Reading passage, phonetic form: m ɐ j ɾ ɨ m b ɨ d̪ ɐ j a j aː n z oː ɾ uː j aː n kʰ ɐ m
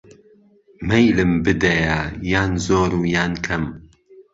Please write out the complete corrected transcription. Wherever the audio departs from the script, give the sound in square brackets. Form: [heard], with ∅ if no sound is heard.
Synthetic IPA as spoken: m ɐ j [l] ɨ m b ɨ d̪ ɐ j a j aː n z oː ɾ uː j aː n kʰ ɐ m